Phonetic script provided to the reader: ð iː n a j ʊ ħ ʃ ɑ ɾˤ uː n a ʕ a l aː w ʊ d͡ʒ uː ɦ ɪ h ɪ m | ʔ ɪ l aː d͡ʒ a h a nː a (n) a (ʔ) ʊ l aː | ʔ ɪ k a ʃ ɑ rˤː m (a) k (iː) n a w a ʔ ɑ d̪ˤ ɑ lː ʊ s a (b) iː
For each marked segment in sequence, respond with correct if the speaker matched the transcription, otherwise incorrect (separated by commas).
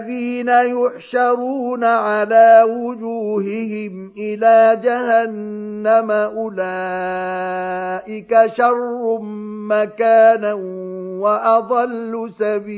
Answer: incorrect, correct, correct, incorrect, correct